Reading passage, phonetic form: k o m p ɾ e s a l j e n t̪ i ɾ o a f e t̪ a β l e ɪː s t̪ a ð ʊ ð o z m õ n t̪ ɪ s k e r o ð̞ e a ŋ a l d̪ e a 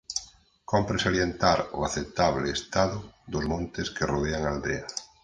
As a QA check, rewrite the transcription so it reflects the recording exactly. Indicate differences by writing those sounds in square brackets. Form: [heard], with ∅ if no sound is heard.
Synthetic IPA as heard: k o m p ɾ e s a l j e n t̪ [a] ɾ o a [θ] e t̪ a β l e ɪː s t̪ a ð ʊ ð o z m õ n t̪ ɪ s k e r o ð̞ e a ŋ a l d̪ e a